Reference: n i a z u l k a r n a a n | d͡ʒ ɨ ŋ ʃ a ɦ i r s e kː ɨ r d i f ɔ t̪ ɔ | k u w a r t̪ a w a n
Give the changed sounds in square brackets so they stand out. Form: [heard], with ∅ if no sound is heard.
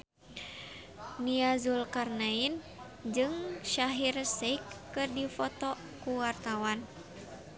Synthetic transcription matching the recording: n i a z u l k a r n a [i] n | d͡ʒ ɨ ŋ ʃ a ɦ i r s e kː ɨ r d i f ɔ t̪ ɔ | k u w a r t̪ a w a n